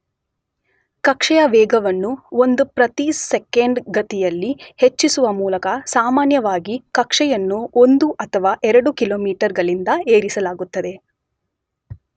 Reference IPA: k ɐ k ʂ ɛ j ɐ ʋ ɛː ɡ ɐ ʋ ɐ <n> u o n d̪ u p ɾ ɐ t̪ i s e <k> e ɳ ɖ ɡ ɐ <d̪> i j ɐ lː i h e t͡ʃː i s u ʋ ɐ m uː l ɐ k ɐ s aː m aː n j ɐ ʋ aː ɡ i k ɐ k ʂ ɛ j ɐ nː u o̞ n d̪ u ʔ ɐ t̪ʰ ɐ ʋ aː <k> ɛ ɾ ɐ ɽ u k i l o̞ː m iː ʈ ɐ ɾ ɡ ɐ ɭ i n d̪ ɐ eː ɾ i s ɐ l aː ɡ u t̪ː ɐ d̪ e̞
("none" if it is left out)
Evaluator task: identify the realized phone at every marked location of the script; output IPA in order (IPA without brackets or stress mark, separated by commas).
nː, k, t̪, ʔ